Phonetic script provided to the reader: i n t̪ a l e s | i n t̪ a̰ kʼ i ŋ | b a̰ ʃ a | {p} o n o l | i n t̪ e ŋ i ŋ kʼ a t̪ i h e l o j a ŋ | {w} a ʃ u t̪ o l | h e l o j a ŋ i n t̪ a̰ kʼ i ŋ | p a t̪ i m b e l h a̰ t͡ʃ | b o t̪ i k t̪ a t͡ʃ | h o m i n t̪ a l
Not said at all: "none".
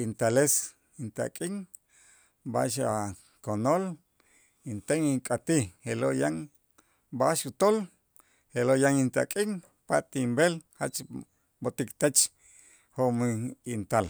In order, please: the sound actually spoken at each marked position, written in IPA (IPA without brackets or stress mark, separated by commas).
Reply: k, b